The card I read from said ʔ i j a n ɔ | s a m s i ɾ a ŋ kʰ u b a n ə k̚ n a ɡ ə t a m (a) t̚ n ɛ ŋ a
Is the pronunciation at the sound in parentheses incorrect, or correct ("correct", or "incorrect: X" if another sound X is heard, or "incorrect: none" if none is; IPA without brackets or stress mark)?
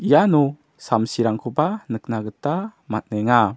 correct